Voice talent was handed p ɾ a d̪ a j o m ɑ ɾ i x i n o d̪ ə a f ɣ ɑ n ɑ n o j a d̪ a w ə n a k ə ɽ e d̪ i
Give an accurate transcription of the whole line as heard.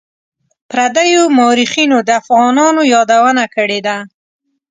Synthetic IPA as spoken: p ɾ a d̪ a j o m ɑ ɾ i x i n o d̪ ə a f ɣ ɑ n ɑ n o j ɑ d̪ a w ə n a k ə ɽ e d̪ a